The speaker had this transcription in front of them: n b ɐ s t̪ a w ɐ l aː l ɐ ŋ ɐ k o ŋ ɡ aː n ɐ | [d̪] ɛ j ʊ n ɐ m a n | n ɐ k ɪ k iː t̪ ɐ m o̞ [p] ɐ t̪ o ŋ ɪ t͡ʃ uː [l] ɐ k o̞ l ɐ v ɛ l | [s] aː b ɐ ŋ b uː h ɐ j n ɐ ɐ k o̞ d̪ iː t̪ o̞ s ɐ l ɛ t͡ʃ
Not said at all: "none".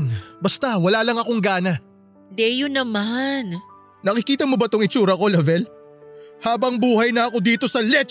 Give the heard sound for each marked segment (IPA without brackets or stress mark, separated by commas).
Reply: d̪, b, ɾ, h